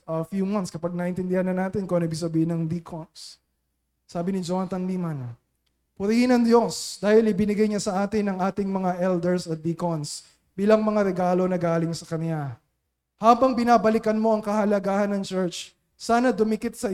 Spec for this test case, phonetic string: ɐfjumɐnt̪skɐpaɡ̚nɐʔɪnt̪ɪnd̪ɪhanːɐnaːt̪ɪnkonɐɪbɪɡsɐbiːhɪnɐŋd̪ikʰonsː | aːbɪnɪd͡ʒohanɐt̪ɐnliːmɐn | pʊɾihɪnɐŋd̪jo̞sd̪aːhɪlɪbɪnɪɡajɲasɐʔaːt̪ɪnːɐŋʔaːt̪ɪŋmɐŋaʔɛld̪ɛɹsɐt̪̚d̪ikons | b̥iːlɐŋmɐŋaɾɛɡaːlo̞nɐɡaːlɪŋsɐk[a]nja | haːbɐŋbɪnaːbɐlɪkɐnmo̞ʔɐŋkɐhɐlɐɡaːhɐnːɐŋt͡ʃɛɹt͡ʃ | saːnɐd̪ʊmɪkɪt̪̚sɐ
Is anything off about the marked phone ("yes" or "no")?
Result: yes